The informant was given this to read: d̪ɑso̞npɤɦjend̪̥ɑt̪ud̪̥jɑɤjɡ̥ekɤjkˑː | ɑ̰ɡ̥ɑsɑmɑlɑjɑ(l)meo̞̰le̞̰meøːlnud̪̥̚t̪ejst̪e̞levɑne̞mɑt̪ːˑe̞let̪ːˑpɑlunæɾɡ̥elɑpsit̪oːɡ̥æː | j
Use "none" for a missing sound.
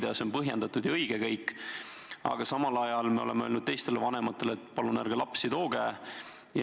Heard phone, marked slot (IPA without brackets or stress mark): l